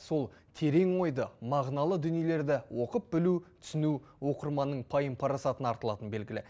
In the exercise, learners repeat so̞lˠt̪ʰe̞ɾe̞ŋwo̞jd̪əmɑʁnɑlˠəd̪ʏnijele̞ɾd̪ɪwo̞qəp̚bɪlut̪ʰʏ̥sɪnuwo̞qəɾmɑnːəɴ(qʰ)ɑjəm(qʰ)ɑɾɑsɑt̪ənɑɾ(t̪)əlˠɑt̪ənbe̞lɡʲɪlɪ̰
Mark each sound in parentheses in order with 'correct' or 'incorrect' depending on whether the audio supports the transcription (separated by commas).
incorrect, incorrect, correct